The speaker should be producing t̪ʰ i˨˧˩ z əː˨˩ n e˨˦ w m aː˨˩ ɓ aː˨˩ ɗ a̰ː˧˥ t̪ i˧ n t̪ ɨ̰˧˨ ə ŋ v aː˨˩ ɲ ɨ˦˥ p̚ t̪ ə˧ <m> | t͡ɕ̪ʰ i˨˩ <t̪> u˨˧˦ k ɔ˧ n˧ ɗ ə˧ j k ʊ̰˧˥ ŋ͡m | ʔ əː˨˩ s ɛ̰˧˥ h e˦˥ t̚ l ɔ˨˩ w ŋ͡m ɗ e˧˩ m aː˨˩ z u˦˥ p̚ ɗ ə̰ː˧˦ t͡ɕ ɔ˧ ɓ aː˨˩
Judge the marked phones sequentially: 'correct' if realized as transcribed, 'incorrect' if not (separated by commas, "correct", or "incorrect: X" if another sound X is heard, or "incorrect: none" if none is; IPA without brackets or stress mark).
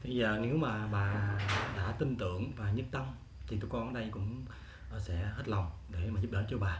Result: correct, correct